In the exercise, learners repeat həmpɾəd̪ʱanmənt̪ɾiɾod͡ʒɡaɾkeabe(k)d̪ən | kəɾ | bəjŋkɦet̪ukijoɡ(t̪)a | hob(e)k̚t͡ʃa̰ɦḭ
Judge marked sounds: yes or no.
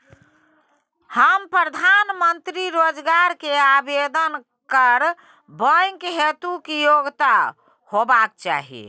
no, yes, no

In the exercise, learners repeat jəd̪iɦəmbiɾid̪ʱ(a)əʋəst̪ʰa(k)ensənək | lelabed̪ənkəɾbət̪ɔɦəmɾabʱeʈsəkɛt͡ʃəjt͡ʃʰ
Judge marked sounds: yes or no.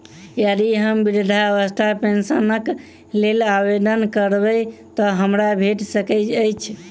yes, no

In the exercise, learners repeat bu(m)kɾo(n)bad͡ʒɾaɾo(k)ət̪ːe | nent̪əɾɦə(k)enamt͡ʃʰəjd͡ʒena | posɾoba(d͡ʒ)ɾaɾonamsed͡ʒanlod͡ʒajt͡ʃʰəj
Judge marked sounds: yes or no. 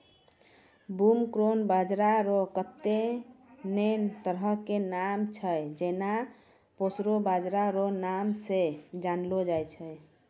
yes, yes, yes, yes, yes

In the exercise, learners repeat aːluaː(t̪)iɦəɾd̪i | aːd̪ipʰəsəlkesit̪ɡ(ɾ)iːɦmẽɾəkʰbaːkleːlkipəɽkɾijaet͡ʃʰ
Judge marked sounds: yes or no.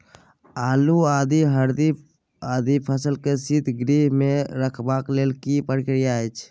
no, yes

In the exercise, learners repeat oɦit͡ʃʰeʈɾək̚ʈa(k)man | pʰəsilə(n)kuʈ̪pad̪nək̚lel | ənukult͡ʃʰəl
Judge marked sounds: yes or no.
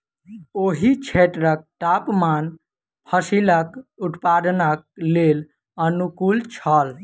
no, no

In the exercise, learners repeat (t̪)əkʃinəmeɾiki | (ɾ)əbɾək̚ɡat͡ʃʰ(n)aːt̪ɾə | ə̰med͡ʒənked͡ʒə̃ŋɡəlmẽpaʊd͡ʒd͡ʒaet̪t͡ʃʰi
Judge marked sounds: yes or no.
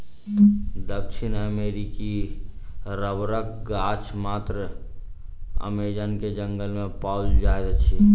no, yes, no

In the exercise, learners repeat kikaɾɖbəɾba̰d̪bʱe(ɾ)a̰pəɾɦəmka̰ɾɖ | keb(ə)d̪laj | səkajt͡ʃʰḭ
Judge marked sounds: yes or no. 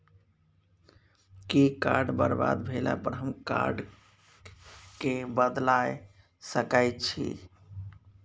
no, yes

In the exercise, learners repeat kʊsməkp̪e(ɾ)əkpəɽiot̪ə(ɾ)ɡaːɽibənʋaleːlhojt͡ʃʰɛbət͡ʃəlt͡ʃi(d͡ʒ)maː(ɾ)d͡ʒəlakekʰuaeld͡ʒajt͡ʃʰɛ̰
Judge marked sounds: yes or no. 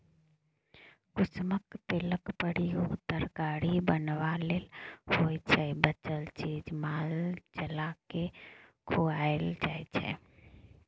no, yes, yes, no

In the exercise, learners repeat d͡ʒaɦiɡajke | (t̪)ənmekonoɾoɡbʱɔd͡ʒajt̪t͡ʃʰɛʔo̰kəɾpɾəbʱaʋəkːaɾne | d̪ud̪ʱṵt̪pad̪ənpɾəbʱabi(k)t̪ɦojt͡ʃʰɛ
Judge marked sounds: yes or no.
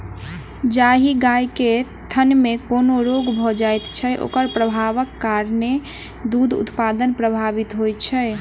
no, no

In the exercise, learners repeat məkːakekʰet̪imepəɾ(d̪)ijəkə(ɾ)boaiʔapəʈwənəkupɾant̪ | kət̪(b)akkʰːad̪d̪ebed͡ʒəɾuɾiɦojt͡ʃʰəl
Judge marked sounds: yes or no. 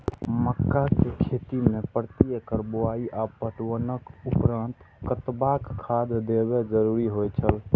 no, yes, yes

